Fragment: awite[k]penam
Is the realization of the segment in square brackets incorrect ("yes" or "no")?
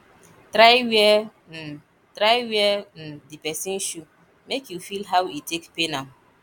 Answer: no